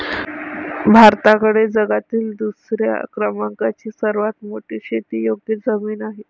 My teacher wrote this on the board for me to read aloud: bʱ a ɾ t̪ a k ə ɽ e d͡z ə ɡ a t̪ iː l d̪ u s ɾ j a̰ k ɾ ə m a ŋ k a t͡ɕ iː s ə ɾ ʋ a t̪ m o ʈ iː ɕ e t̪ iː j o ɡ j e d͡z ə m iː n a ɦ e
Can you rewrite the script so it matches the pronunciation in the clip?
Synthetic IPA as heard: bʱ a ɾ t̪ a k ə ɽ e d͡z ə ɡ a t̪ iː l d̪ u s ɾ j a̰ k ɾ ə m a ŋ k a t͡ɕ iː s ə ɾ ʋ a t̪ m o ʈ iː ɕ e t̪ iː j o ɡ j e d͡z ə m iː n a ɦ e